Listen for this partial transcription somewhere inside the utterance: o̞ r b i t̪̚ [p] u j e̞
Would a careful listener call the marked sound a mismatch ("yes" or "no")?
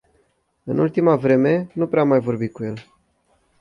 yes